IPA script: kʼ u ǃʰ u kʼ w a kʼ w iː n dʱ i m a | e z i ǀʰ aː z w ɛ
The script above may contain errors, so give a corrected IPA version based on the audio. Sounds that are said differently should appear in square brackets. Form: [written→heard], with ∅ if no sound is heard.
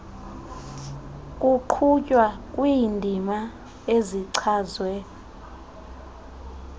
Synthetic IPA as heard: kʼ u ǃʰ u [kʼ→cʼ] w a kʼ w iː n dʱ i m a | e z i ǀʰ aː z w ɛ